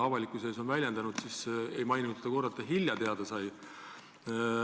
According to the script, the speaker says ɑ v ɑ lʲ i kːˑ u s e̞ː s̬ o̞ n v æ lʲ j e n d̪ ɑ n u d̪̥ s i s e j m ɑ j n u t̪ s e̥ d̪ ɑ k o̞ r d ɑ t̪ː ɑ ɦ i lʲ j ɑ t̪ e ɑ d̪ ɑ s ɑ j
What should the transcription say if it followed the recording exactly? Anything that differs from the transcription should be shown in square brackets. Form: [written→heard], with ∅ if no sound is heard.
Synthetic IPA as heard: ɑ v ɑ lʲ i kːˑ u s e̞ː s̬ o̞ n v æ lʲ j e n d̪ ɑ n u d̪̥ s i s e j m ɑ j n u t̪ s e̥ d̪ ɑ k o̞ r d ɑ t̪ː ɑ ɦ i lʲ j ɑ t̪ e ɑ d̪ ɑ s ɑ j